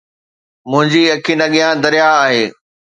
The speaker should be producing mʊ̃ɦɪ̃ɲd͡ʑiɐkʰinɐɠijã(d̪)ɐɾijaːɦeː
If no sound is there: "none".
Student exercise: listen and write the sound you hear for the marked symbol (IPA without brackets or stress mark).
d̪